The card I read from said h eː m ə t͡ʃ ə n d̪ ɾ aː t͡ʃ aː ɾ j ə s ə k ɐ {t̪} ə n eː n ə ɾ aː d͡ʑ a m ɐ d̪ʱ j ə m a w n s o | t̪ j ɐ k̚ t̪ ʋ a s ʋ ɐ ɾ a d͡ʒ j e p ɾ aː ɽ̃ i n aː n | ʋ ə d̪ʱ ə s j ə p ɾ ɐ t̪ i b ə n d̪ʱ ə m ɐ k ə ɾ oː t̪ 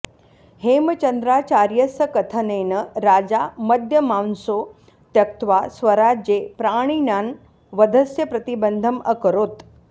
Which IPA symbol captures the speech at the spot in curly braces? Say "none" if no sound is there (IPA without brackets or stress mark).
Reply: t̪ʰ